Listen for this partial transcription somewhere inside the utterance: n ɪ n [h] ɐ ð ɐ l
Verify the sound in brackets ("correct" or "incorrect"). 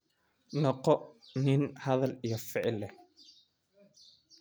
correct